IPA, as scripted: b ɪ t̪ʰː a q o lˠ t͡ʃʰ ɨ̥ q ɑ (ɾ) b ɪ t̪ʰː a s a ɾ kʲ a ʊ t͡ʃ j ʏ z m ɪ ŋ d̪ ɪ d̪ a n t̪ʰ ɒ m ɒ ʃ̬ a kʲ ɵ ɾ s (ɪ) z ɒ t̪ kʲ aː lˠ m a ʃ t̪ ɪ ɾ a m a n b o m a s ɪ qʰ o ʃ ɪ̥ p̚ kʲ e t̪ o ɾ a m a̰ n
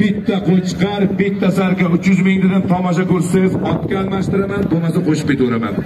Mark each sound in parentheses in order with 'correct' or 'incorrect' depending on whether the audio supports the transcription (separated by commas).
correct, correct